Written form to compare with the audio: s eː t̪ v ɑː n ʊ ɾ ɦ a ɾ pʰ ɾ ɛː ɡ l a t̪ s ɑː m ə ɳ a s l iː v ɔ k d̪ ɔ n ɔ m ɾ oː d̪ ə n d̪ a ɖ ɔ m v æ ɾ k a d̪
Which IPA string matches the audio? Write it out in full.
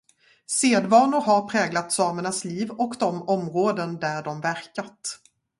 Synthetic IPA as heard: s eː d̪ v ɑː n ʊ ɾ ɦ a ɾ pʰ ɾ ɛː ɡ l a t̪ s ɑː m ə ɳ a s l iː v ɔ k d̪ ɔ m ɔ m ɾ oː d̪ ə n d̪ æ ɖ ɔ m v æ ɾ k a t̪